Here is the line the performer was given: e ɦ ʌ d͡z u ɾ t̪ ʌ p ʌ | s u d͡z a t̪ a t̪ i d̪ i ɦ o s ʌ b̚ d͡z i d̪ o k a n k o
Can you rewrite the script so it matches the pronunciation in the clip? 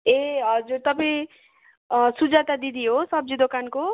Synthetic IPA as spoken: e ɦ ʌ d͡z u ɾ t̪ ʌ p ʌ | s u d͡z a t̪ a d̪ i d̪ i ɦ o s ʌ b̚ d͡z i d̪ o k a n k o

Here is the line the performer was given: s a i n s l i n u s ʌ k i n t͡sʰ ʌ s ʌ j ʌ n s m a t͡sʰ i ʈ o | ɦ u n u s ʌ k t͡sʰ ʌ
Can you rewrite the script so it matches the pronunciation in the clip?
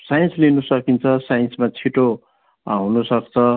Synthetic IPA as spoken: s a j n s l i n u s ʌ k i n t͡sʰ ʌ s a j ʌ n s m a t͡sʰ i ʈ o | ɦ u n u s ʌ k t͡sʰ ʌ

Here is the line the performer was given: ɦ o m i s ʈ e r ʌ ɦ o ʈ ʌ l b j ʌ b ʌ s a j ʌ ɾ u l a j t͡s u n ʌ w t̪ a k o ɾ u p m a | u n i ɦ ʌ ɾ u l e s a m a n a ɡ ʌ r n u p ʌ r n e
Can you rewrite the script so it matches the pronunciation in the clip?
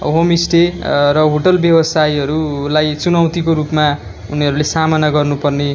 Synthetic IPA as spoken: ɦ o m i s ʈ e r ʌ ɦ o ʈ ʌ l b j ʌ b ʌ s a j ʌ ɾ u l a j t͡s u n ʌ w t̪ i k o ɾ u p m a | u n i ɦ ʌ ɾ u l e s a m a n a ɡ ʌ r n u p ʌ r n e

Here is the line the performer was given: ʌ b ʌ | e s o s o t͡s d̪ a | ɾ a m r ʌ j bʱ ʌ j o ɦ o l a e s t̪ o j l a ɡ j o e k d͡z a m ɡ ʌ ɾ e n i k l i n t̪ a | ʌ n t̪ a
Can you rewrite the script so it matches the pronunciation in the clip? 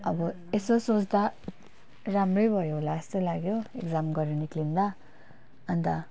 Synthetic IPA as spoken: ʌ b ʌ | e s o s o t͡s d̪ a | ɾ a m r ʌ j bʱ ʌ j o ɦ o l a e s t̪ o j l a ɡ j o e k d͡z a m ɡ ʌ ɾ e n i k l i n d̪ a | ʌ n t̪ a

